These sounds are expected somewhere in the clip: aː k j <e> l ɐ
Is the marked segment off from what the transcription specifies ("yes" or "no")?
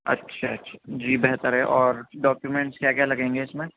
yes